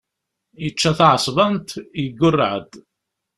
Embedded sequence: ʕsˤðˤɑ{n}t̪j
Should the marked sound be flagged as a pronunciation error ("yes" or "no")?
no